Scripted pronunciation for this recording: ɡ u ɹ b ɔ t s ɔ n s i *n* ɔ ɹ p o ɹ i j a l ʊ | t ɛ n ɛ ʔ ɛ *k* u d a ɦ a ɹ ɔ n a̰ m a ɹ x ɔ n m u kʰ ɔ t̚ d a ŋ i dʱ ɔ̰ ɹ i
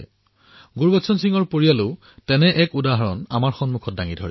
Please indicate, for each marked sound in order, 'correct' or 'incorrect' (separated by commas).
incorrect, correct